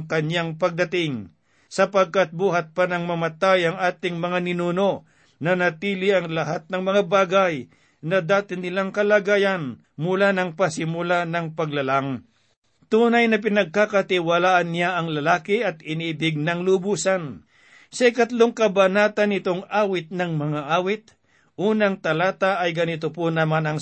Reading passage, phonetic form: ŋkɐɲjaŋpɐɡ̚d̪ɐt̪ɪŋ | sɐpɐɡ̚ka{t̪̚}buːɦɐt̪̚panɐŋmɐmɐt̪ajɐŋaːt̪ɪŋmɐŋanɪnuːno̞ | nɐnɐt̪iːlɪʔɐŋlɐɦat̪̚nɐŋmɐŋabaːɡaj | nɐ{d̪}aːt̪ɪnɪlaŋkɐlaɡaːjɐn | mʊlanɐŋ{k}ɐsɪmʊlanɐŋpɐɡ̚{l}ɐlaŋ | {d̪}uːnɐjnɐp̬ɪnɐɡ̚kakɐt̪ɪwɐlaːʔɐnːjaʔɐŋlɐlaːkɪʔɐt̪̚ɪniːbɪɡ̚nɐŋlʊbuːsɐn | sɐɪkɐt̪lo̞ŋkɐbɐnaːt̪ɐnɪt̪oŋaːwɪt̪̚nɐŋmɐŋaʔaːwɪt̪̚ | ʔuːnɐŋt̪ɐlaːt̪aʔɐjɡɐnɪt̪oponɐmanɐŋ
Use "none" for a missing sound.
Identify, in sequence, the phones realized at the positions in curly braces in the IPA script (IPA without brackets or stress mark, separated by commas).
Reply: t̪̚, d̪, p, l, t̪